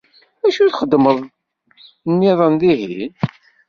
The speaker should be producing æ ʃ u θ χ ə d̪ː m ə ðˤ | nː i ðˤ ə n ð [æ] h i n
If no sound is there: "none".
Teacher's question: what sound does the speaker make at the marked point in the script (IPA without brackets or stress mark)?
i